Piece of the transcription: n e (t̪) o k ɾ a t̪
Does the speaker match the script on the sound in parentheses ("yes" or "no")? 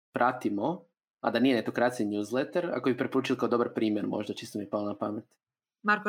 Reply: yes